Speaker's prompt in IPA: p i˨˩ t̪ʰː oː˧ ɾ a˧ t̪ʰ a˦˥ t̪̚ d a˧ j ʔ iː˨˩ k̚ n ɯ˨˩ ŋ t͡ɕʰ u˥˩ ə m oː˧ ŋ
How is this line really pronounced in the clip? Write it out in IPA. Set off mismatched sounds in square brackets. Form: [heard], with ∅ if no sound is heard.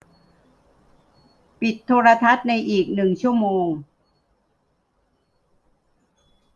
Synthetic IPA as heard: p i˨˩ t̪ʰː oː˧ ɾ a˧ t̪ʰ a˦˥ t̪̚ [n] a˧ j ʔ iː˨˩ k̚ n ɯ˨˩ ŋ t͡ɕʰ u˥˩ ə m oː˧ ŋ